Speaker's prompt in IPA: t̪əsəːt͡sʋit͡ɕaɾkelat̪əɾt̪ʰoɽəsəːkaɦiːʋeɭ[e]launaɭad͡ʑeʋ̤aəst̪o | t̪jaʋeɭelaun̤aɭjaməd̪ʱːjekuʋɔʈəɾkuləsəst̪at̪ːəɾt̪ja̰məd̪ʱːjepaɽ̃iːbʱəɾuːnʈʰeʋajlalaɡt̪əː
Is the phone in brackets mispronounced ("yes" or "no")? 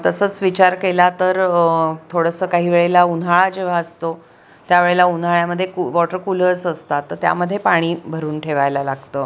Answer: no